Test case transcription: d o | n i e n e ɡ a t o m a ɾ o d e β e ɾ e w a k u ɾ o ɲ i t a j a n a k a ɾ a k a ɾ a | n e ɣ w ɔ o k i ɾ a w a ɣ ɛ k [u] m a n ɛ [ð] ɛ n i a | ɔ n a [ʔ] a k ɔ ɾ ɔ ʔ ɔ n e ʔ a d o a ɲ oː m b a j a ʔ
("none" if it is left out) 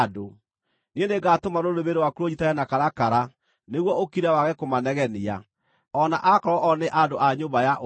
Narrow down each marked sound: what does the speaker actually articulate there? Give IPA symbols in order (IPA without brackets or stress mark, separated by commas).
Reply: o, ɣ, ʔ